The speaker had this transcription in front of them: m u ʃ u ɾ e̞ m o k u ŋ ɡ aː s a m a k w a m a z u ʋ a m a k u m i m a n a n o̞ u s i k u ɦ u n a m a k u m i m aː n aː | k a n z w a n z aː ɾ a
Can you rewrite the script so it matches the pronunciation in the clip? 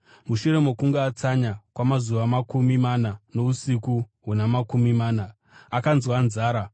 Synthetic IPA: m u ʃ u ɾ e̞ m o k u ŋ ɡ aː t͡s a ɲ a k w a m a z u ʋ a m a k u m i m a n a n o̞ u s i k u ɦ u n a m a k u m i m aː n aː | k a n z w a n z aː ɾ a